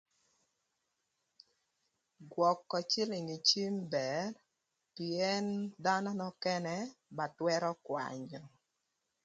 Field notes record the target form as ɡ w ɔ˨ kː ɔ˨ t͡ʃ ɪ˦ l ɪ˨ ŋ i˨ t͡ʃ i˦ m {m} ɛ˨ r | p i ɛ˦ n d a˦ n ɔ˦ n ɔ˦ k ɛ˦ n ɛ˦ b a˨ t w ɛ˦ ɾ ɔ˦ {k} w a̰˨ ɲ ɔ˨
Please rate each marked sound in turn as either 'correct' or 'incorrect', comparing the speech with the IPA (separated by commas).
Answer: incorrect, correct